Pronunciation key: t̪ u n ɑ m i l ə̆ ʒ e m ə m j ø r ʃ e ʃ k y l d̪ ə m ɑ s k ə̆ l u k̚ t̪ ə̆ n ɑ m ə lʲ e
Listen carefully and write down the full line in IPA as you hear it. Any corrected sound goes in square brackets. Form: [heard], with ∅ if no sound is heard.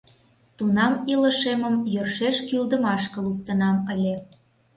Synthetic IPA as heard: t̪ u n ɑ m i l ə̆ [ʃ] e m ə m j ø r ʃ e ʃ k y l d̪ ə m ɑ [ʃ] k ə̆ l u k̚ t̪ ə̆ n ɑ m ə lʲ e